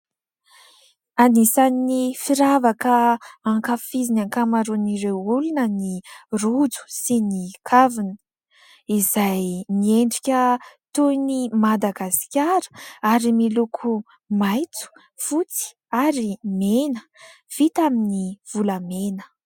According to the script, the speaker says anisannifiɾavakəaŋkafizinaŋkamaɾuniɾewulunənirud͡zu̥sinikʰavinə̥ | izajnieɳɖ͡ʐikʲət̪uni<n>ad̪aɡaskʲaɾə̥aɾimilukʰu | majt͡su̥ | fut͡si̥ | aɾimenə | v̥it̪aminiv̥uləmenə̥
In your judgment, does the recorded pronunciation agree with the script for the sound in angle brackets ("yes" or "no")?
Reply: no